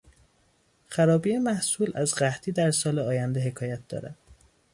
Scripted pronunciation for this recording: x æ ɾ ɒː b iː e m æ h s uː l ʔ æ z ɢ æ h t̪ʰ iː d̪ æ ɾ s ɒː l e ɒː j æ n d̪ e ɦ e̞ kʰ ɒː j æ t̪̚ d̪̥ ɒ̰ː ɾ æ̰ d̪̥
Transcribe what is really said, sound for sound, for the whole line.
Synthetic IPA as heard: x æ ɾ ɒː b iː e m æ h s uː l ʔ æ z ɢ æ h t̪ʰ iː d̪ æ ɾ s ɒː l e ɒː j æ n d̪ e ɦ e̞ kʰ ɒː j æ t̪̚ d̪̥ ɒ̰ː ɾ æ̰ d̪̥